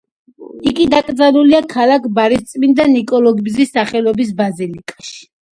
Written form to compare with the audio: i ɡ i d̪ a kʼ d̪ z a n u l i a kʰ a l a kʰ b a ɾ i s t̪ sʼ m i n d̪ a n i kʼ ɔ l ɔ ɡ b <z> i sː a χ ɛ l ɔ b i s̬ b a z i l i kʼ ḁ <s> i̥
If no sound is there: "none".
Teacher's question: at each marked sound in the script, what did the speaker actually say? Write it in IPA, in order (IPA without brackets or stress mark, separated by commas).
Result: z, ʃ